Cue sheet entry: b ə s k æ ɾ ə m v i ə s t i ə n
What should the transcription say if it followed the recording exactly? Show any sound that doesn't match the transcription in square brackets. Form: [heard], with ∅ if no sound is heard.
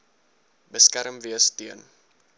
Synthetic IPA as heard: b ə s k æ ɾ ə m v i ə s t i ə n